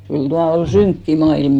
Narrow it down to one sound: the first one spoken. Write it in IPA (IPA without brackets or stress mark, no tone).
k